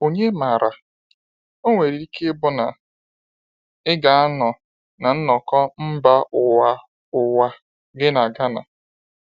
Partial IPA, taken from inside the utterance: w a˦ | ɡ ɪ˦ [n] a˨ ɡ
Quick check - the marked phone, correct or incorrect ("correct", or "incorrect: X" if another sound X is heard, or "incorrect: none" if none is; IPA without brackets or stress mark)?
correct